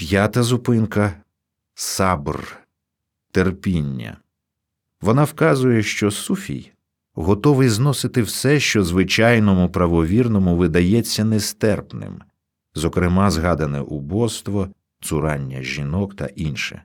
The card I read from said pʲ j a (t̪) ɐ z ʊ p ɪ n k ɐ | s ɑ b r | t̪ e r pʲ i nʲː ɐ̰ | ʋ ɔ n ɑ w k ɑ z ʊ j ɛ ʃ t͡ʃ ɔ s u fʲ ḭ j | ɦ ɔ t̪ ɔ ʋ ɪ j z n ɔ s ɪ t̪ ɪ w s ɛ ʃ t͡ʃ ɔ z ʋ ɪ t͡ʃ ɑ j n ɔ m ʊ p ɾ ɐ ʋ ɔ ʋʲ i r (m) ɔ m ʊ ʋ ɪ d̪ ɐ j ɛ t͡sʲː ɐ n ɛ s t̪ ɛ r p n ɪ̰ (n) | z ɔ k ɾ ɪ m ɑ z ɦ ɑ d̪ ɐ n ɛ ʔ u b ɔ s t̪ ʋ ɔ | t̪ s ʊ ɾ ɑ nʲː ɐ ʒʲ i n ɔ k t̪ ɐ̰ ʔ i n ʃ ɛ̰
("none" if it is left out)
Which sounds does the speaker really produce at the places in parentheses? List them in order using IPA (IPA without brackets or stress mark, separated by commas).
t̪, n, m